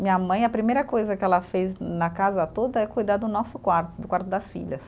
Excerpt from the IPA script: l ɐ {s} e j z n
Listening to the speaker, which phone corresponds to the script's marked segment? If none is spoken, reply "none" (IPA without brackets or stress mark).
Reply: f